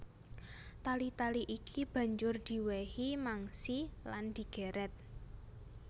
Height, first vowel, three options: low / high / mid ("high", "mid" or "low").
low